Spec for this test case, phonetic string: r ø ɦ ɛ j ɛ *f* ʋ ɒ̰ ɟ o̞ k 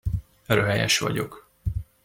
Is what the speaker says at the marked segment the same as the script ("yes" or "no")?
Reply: no